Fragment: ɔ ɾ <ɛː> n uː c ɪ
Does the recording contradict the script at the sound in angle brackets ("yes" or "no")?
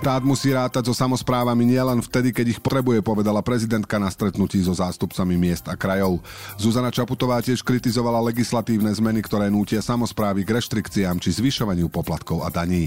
no